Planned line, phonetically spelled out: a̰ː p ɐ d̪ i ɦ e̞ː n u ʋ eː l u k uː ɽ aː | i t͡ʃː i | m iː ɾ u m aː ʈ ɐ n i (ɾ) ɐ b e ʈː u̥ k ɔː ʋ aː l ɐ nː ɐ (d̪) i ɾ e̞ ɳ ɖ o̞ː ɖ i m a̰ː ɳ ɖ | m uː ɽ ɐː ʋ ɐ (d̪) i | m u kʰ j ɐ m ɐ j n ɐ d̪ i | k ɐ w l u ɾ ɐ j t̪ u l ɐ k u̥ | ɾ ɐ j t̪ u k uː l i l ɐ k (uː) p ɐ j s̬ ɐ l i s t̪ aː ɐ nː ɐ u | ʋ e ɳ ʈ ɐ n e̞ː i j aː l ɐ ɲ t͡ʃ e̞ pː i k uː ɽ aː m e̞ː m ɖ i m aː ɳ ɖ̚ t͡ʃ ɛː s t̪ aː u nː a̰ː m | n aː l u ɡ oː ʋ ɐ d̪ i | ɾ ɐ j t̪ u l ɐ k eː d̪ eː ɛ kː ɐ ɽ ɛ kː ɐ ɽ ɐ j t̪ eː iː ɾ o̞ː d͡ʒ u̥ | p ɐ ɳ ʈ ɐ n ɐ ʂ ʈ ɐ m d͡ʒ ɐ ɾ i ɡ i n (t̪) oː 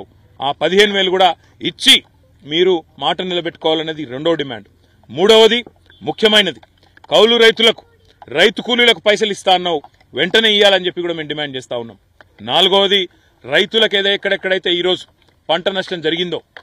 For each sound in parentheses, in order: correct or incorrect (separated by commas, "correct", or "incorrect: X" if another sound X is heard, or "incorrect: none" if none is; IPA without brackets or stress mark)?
incorrect: l, correct, correct, incorrect: u, incorrect: d̪